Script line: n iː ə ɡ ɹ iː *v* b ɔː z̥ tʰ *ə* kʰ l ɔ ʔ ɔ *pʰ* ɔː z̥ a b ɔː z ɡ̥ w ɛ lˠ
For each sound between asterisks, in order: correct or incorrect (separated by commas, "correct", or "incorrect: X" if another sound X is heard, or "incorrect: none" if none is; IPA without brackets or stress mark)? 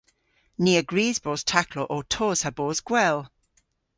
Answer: incorrect: z, incorrect: a, incorrect: tʰ